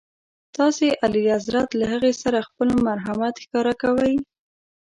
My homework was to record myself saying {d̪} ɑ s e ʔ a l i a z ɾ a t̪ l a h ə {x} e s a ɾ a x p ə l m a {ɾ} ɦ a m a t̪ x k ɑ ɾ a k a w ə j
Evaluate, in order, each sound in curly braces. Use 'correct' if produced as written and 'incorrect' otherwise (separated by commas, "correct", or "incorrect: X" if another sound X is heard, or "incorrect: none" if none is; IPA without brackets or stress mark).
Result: incorrect: t̪, incorrect: ɣ, correct